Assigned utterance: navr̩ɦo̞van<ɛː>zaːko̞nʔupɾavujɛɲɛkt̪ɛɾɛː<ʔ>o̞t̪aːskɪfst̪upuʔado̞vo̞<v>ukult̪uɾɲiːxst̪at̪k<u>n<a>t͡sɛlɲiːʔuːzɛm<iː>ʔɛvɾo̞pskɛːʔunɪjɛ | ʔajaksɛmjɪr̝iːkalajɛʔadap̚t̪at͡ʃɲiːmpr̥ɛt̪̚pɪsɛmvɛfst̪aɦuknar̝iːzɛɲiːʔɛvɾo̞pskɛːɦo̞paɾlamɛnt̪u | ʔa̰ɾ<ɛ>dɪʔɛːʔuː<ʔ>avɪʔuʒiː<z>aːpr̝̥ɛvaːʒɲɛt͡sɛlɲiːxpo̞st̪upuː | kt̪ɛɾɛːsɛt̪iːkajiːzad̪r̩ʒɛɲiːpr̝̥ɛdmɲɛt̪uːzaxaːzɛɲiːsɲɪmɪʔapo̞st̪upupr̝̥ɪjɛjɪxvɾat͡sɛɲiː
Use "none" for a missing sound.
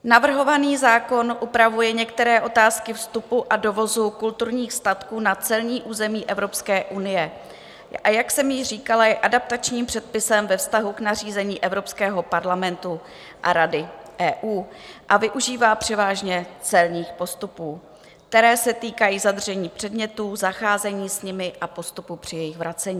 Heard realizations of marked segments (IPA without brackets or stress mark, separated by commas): iː, ʔ, z, uː, a, iː, a, ʔ, v